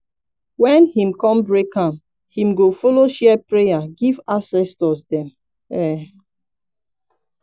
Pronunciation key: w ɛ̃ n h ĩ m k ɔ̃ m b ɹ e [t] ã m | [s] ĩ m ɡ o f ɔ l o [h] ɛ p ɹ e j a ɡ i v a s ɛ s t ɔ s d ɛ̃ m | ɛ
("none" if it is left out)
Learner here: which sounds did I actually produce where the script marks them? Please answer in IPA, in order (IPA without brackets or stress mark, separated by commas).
k, h, ʃ